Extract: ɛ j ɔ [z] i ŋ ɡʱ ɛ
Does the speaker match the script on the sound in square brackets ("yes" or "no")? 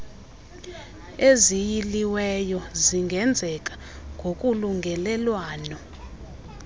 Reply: yes